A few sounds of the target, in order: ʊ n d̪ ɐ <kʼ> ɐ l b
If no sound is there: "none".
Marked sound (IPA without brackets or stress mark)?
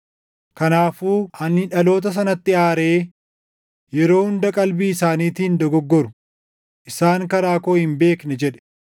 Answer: kʼ